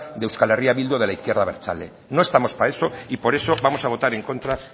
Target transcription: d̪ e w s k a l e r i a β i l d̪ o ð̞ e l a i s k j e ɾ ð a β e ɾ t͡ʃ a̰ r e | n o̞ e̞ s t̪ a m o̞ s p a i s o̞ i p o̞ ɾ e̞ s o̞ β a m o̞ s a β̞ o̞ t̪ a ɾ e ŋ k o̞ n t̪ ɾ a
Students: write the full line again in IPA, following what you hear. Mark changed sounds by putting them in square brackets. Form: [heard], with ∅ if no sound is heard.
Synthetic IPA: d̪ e w s k a l e r i a β i l d̪ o ð̞ e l a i [θ] k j e ɾ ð a β e ɾ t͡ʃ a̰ [l] e | n o̞ e̞ s t̪ a m o̞ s p a [e] s o̞ i p o̞ ɾ e̞ s o̞ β a m o̞ s a β̞ o̞ t̪ a ɾ e ŋ k o̞ n t̪ ɾ a